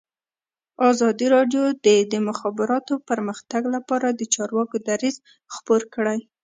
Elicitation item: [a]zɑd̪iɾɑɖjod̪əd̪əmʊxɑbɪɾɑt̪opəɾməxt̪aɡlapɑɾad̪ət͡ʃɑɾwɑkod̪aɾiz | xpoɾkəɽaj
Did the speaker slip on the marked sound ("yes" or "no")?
yes